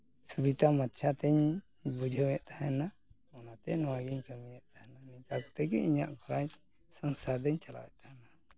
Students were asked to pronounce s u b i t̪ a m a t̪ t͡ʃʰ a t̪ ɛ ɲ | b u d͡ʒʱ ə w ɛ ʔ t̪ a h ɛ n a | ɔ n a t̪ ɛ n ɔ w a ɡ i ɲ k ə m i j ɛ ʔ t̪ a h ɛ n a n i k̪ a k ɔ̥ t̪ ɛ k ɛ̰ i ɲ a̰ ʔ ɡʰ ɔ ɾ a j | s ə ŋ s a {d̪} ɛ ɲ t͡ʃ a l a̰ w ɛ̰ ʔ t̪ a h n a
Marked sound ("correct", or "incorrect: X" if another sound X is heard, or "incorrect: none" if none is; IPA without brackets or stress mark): correct